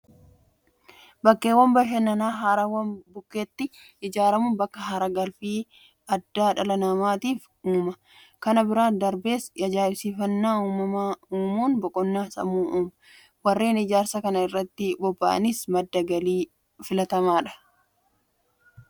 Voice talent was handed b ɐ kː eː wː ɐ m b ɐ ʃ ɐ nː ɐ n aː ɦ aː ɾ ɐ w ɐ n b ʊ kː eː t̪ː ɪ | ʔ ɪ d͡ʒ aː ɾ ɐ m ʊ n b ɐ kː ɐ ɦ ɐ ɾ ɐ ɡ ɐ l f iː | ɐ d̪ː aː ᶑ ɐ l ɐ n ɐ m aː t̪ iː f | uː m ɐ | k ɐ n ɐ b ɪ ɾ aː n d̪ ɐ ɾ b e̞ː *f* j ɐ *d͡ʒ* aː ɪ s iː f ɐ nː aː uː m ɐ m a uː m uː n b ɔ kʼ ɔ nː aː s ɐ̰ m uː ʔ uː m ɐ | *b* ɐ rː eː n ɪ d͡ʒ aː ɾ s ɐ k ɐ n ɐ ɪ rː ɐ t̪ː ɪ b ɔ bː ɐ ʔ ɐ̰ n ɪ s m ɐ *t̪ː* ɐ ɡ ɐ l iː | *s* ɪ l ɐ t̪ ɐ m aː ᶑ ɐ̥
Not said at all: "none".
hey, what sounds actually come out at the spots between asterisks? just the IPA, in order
s, d͡ʒ, w, d̪ː, f

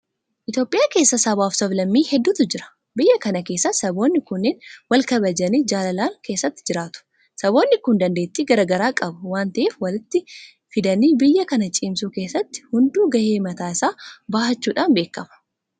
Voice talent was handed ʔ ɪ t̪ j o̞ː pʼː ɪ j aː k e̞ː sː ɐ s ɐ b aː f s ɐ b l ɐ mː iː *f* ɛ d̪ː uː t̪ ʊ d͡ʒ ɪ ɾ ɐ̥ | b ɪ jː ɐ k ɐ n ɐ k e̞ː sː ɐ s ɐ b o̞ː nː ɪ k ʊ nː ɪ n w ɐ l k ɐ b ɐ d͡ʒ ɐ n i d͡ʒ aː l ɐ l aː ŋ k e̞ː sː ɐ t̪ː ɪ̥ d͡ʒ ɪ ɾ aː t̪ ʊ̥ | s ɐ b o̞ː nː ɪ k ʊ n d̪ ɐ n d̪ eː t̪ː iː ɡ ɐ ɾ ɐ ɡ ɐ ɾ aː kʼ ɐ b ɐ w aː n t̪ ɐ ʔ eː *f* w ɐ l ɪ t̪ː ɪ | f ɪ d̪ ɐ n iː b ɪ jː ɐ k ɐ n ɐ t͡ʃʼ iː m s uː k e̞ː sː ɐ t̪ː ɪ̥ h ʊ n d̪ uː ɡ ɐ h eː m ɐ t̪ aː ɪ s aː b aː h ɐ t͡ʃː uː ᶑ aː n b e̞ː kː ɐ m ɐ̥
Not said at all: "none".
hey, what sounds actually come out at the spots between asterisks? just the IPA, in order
h, f

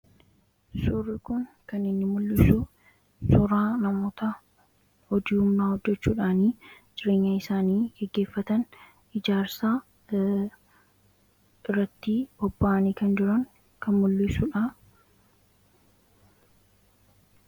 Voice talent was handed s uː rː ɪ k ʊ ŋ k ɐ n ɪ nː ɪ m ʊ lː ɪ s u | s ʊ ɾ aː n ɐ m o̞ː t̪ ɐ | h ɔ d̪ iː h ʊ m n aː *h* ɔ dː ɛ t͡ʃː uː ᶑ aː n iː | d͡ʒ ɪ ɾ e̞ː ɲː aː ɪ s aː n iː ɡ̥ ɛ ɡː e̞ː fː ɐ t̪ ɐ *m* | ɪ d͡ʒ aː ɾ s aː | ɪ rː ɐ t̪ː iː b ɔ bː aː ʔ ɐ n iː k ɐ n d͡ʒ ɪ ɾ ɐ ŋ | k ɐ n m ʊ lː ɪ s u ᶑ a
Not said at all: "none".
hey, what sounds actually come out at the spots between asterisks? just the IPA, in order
h, n

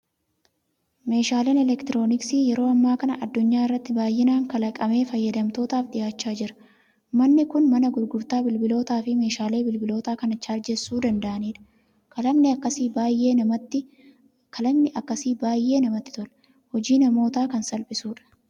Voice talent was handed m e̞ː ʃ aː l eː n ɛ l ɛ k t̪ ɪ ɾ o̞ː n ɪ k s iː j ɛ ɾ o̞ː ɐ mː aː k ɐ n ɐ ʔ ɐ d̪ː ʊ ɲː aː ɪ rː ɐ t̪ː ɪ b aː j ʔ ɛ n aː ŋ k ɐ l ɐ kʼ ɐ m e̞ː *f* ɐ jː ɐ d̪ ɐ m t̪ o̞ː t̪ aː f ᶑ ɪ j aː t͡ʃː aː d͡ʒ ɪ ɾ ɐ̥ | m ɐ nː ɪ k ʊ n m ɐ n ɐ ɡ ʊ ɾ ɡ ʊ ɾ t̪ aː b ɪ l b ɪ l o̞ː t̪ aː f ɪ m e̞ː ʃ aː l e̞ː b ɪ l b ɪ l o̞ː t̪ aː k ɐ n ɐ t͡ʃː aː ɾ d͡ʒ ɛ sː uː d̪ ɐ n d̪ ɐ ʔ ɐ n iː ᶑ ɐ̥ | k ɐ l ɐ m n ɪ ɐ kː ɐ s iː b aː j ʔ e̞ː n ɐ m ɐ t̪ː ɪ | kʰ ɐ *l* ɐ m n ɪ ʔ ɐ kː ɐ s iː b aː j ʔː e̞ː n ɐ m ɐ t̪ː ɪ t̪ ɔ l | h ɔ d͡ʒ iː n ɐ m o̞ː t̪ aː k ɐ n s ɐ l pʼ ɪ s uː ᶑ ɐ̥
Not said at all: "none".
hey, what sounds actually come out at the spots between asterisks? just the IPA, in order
f, l

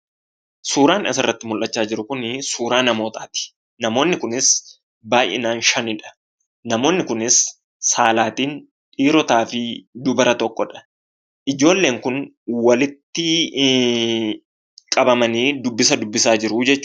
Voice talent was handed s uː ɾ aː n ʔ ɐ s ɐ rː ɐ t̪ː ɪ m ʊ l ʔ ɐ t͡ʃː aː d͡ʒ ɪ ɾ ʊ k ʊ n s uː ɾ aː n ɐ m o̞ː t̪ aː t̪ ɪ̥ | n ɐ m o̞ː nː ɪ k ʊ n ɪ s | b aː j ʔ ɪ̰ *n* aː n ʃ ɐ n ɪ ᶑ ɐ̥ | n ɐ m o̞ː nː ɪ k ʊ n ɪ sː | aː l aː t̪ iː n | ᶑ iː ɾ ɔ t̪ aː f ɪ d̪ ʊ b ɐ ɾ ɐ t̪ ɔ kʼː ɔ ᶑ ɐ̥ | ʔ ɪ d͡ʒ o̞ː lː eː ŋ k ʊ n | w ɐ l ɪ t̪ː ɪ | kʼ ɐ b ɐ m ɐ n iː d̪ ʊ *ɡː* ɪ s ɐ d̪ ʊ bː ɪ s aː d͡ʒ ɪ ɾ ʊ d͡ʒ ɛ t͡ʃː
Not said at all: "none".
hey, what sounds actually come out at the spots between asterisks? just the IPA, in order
n, bː

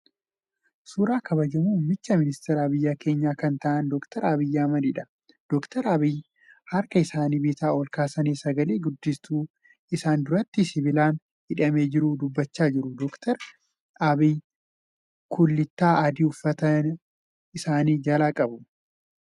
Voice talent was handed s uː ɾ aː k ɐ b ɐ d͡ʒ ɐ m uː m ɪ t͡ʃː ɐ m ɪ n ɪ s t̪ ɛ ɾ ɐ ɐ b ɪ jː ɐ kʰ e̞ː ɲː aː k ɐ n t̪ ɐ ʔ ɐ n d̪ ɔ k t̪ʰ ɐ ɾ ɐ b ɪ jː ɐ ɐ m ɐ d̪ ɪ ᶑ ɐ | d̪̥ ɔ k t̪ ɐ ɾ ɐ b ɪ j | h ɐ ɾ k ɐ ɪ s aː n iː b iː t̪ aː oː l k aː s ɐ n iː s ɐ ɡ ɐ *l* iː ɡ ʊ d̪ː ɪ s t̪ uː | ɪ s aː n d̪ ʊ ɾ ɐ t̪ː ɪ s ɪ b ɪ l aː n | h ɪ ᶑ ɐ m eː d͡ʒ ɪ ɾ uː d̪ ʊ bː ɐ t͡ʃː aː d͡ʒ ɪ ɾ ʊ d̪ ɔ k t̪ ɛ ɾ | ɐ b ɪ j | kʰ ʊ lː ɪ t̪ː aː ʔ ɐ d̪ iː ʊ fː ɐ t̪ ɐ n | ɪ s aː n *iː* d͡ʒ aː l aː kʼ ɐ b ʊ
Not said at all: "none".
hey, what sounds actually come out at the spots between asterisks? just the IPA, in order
l, iː

